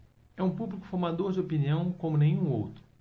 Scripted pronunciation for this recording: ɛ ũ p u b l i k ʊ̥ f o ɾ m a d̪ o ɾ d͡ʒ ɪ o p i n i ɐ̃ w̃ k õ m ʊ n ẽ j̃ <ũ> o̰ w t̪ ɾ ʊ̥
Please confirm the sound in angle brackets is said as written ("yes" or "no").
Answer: yes